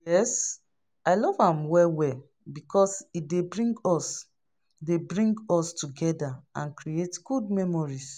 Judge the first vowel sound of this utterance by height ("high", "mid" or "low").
mid